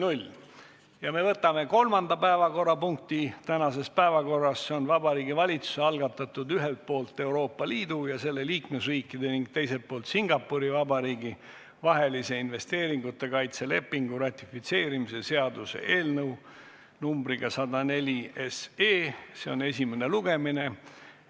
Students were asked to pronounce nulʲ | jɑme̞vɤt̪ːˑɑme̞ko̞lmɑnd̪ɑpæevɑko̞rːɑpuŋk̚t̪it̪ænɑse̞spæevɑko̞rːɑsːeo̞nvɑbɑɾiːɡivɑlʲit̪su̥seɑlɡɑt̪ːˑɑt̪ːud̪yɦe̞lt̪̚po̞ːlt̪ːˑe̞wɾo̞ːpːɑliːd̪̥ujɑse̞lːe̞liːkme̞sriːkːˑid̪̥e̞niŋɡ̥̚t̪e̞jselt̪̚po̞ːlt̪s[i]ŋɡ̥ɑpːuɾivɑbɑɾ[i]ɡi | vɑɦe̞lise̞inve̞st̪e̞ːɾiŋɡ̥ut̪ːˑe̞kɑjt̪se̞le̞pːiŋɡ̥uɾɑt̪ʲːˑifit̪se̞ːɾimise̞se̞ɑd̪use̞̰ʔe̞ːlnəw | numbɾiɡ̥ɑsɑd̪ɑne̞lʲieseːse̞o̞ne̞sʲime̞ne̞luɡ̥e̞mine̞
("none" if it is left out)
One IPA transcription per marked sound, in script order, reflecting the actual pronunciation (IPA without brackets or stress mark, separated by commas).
i, iː